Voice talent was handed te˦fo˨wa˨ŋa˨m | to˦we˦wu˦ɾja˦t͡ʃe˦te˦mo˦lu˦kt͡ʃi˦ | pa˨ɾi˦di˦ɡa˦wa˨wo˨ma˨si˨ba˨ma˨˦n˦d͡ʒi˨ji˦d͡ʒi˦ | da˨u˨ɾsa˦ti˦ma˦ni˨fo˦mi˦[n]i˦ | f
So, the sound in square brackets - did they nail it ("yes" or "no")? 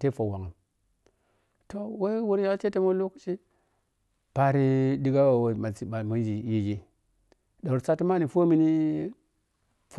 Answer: yes